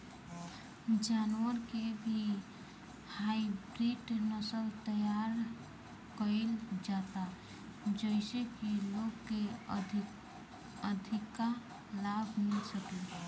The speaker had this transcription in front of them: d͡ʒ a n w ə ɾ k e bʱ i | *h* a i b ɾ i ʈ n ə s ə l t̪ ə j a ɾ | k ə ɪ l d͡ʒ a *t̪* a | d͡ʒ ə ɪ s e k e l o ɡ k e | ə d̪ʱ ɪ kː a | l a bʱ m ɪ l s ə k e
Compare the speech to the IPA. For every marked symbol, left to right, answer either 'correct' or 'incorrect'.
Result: correct, correct

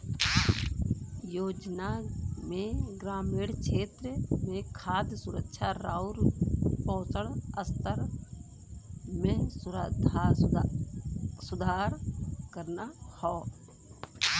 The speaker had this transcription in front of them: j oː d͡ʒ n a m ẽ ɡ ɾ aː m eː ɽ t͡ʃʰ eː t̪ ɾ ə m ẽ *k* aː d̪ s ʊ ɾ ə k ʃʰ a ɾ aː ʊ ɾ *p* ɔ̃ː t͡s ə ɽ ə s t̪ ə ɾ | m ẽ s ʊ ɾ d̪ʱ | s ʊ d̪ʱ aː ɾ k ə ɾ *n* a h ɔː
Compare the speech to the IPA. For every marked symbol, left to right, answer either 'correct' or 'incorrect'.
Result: incorrect, correct, correct

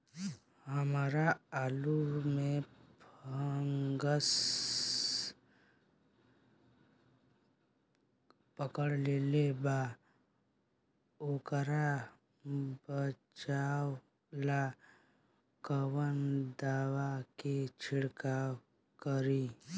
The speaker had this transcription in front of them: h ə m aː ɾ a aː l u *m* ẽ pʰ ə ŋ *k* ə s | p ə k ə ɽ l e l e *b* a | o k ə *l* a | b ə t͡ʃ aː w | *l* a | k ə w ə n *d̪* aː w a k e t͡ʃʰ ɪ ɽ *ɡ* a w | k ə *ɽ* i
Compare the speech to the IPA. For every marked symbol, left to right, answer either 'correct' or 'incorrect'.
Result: correct, incorrect, correct, incorrect, correct, correct, incorrect, incorrect

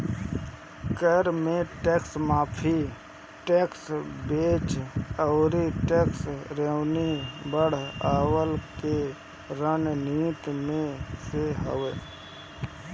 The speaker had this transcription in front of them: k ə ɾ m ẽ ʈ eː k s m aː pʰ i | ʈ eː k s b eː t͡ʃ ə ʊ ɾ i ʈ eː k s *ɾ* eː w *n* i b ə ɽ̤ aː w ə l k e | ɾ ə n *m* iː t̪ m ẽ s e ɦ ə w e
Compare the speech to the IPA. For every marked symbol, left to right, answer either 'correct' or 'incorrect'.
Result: correct, correct, incorrect

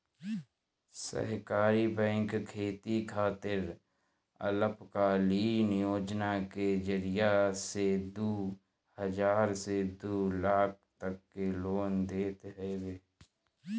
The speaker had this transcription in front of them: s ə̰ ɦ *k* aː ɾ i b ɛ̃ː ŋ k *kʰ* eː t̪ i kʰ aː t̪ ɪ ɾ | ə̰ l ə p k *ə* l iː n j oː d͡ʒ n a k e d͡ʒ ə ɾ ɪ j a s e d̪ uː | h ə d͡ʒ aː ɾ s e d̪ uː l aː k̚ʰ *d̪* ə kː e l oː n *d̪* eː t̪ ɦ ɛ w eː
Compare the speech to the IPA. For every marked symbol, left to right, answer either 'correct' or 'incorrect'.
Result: correct, correct, incorrect, incorrect, correct

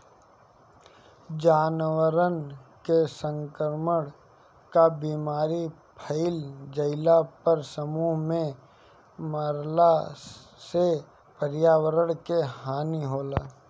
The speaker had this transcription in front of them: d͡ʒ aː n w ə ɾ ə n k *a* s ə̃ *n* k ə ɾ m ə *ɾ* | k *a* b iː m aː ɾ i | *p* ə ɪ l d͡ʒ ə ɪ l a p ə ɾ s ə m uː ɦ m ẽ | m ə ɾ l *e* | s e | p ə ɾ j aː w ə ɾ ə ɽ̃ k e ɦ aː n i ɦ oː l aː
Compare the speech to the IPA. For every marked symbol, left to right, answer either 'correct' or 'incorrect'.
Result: incorrect, incorrect, incorrect, correct, incorrect, incorrect

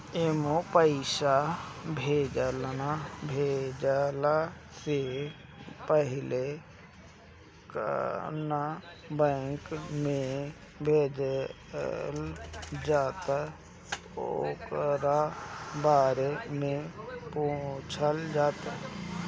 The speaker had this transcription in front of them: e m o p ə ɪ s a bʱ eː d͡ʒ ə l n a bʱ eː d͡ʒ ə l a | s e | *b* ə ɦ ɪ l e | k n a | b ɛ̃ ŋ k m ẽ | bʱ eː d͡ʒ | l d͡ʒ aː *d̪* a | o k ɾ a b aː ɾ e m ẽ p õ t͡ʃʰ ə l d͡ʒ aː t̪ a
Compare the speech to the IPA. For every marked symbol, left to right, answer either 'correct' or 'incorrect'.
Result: incorrect, incorrect

